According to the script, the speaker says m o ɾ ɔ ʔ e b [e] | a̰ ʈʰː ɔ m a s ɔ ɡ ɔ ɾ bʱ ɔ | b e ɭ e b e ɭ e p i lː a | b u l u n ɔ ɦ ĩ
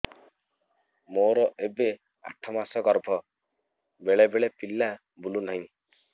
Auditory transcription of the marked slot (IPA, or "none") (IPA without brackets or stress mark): e